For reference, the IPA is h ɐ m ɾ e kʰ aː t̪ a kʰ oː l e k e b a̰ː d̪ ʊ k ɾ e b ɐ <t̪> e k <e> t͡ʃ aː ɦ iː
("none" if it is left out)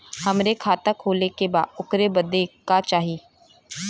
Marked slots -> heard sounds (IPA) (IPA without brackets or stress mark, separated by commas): d̪, a